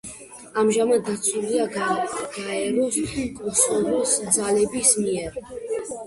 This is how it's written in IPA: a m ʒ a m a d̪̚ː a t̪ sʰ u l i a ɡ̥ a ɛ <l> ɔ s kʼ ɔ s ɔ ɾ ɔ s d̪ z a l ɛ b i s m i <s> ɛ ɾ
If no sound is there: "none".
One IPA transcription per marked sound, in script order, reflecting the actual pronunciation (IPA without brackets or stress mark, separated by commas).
ɾ, none